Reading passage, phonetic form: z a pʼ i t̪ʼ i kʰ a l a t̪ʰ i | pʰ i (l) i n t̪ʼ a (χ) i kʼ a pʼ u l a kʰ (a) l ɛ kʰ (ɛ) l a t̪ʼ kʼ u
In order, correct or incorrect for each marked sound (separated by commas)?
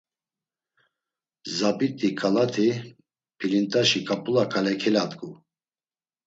correct, incorrect, correct, correct